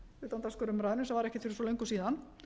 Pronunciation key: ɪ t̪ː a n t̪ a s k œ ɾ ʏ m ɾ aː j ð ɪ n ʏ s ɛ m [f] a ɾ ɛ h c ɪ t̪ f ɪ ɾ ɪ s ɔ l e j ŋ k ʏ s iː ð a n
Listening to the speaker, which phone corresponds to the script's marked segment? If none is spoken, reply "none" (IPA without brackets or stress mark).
v